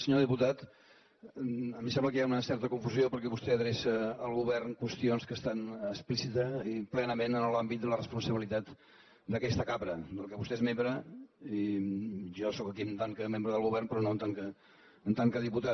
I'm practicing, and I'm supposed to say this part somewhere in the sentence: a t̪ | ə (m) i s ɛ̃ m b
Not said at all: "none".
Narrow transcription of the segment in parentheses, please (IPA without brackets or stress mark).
m